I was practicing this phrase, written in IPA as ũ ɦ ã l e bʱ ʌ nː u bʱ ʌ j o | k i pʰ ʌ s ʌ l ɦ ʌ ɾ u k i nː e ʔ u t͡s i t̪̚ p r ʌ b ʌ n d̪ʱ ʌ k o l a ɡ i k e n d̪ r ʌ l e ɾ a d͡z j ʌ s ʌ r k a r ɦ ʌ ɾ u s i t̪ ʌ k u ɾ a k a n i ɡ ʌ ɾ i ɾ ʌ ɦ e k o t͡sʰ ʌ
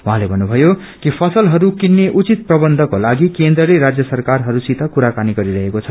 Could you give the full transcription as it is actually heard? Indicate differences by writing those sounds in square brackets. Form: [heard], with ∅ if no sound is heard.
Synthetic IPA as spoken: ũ ɦ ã l e bʱ ʌ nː u bʱ ʌ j o | k i pʰ ʌ s ʌ l ɦ ʌ ɾ u k i nː e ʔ u t͡s i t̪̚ p r ʌ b ʌ n d̪ʱ ʌ k o l a ɡ i k e n d̪ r ʌ l e ɾ a d͡z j ʌ s ʌ r k a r ɦ ʌ ɾ u s i t̪ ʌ k u ɾ a k a n i ɡ ʌ ɾ i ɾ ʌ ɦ e k o t͡sʰ ʌ